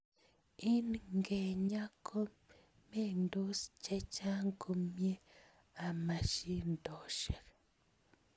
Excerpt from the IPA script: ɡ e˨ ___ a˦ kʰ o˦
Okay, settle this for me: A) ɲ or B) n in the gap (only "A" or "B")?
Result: A